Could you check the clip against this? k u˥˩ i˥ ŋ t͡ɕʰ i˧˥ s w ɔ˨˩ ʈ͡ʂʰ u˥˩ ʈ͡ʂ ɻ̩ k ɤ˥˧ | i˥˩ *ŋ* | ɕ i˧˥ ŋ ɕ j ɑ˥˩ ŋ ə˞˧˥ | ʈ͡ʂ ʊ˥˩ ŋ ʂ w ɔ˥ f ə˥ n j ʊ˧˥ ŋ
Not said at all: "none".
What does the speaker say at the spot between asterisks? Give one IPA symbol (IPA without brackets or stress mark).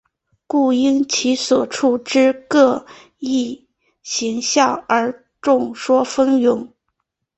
none